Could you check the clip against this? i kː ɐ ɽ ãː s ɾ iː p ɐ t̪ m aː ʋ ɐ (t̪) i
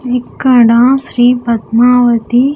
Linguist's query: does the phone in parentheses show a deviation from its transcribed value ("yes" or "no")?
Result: no